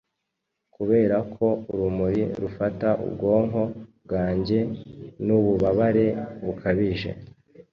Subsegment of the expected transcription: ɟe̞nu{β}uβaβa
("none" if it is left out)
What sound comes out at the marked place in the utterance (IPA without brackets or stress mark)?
β